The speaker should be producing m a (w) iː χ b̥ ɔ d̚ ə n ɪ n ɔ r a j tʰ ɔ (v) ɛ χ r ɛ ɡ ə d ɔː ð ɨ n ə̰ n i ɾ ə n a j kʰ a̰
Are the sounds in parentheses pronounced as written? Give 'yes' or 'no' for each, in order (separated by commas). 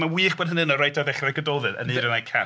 yes, no